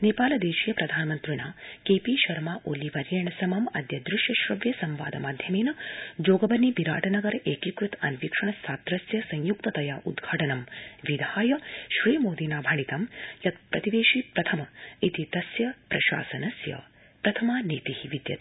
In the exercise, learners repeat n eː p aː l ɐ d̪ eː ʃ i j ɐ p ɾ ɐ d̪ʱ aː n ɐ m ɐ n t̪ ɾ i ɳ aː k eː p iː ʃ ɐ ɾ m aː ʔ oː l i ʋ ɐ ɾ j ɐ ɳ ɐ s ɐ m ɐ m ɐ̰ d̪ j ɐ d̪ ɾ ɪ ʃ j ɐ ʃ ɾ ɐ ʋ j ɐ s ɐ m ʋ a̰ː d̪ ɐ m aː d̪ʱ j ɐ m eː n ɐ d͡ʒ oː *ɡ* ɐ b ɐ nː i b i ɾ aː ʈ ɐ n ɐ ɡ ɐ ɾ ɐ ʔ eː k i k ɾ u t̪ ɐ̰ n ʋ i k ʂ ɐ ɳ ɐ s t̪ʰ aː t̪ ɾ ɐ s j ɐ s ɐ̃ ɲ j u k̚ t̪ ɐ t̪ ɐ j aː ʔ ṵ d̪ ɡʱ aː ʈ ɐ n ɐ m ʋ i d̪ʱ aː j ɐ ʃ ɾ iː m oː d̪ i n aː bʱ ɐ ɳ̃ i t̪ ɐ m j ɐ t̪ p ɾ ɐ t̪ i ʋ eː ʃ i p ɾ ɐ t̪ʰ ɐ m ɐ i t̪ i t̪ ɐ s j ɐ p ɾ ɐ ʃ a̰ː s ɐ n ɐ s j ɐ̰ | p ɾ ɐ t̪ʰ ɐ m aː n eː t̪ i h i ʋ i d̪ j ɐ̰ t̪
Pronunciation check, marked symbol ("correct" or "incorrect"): correct